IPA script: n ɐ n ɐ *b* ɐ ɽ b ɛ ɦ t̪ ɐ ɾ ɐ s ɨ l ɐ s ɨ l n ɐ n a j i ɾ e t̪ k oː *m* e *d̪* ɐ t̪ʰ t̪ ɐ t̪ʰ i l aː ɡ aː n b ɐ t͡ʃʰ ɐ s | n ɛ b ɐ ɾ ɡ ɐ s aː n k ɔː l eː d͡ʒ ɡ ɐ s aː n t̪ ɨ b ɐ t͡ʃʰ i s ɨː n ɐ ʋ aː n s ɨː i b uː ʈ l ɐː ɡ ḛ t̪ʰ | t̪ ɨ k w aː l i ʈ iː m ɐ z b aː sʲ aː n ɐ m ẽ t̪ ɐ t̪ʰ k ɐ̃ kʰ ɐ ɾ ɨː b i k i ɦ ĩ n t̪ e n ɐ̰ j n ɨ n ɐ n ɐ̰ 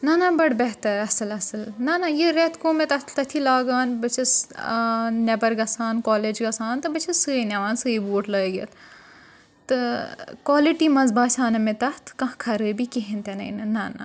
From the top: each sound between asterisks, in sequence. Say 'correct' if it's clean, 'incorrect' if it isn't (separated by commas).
correct, correct, incorrect